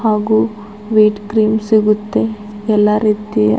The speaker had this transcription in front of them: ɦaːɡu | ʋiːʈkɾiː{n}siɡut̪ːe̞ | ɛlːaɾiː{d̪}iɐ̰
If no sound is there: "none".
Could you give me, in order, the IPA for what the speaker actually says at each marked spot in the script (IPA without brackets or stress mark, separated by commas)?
m, t̪